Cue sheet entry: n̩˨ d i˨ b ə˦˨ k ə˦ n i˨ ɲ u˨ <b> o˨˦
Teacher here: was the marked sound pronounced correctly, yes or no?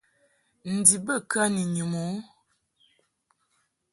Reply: no